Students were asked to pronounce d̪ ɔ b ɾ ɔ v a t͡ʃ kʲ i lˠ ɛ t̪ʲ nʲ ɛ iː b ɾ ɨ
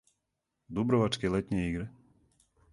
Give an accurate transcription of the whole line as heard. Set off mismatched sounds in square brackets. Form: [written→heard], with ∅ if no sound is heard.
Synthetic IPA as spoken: d̪ [ɔ→u] b ɾ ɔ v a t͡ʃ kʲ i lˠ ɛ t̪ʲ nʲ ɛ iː [b→ɡ] ɾ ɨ